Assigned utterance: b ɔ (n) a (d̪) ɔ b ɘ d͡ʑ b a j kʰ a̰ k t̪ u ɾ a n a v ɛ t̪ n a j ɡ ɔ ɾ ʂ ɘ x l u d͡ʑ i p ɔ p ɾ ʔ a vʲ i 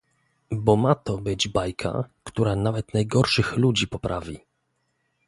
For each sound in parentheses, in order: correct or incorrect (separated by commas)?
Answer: incorrect, incorrect